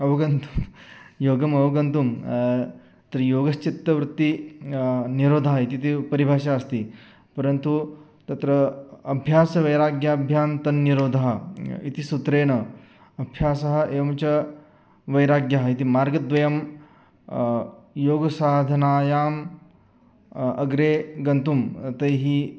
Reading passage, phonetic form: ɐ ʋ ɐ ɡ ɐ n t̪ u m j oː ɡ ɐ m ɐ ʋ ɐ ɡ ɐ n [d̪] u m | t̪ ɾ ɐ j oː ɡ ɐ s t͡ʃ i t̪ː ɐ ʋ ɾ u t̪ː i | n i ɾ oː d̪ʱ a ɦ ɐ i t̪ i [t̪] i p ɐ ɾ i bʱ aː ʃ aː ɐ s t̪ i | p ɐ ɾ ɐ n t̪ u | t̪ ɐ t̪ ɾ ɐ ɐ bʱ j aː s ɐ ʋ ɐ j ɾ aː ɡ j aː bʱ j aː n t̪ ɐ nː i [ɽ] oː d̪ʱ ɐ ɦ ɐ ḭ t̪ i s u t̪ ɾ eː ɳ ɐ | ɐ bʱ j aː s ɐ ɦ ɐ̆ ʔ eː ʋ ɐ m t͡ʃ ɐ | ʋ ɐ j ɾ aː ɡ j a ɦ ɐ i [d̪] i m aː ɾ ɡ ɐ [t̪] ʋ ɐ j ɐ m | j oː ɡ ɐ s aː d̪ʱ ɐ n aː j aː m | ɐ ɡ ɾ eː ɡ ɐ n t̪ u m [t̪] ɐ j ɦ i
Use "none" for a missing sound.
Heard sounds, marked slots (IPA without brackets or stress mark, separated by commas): t̪, t̪, ɾ, t̪, d̪, t̪